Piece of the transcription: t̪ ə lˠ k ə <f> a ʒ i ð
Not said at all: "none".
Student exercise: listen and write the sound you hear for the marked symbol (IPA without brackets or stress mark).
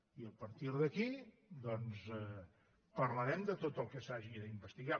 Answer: s